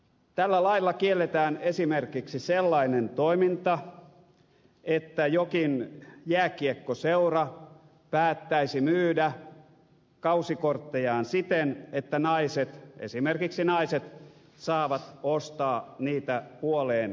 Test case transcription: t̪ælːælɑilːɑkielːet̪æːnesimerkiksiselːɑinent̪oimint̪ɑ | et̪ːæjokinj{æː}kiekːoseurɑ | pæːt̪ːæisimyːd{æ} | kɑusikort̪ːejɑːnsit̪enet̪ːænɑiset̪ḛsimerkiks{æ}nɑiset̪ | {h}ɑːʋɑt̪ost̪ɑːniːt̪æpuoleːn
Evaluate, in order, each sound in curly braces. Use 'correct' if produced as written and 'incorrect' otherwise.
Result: correct, correct, incorrect, incorrect

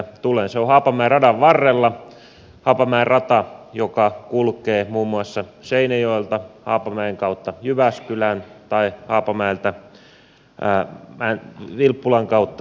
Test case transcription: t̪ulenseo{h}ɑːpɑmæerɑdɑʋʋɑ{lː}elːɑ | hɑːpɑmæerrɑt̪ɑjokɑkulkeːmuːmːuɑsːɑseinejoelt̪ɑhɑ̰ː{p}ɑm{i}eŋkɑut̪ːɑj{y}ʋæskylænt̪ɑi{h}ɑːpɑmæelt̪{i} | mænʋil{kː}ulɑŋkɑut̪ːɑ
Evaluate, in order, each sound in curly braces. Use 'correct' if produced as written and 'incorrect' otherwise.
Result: correct, incorrect, correct, incorrect, correct, correct, incorrect, incorrect

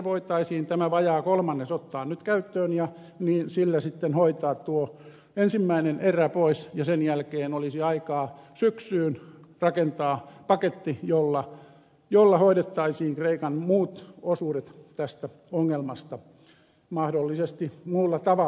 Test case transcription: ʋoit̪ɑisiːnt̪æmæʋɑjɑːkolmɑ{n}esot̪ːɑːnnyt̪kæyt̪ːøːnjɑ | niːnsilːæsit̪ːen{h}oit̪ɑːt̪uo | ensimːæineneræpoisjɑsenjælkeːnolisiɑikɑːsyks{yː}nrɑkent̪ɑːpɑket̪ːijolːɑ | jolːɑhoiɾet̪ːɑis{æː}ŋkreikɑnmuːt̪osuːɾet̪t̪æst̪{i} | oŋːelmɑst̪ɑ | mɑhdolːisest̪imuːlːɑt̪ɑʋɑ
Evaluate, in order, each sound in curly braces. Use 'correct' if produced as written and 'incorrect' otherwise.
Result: incorrect, correct, correct, incorrect, incorrect

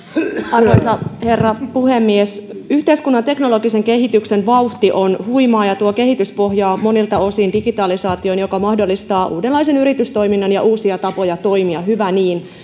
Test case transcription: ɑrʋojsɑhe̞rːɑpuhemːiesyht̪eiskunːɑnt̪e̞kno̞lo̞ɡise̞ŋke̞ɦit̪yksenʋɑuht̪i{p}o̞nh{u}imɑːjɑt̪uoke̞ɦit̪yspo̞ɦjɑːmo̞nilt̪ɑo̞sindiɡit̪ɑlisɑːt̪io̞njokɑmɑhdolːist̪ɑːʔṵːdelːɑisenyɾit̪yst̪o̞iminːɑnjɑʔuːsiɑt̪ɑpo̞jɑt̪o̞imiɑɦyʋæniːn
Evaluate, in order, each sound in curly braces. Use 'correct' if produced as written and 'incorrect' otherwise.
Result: incorrect, correct

